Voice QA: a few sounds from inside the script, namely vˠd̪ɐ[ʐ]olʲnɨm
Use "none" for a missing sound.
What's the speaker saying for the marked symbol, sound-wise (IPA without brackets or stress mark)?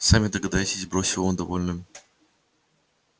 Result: v